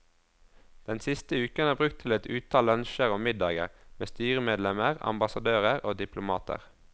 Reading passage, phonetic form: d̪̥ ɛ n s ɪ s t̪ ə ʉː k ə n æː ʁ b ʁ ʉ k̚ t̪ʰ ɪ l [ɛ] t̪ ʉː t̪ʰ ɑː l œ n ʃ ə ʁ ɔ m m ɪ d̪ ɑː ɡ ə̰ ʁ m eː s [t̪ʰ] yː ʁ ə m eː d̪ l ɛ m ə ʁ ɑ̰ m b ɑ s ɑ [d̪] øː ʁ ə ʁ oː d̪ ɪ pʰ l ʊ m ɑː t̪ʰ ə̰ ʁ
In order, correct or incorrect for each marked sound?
correct, incorrect, correct

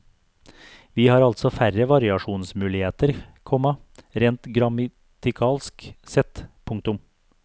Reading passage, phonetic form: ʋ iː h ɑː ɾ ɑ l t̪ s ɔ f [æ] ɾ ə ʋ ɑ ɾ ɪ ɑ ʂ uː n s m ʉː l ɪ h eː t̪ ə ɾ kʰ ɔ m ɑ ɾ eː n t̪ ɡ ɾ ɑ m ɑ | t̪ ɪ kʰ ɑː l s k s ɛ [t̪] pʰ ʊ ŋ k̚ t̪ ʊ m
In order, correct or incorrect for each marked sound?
correct, correct

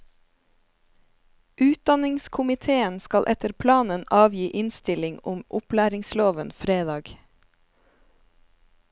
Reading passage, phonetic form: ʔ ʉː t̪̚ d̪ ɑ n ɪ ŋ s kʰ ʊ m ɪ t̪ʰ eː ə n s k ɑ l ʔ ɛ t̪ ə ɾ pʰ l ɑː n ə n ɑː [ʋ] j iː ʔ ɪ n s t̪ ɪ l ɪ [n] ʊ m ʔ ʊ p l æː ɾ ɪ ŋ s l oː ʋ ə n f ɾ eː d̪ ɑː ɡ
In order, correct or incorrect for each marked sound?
correct, incorrect

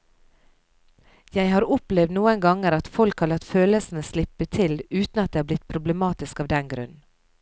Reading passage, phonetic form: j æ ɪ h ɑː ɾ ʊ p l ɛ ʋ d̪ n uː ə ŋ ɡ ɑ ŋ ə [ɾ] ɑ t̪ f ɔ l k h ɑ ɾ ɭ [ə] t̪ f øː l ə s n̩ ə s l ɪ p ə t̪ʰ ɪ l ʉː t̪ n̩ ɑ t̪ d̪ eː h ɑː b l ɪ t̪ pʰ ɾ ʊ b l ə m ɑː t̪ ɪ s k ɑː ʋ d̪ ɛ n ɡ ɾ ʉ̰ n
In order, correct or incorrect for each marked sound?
correct, incorrect

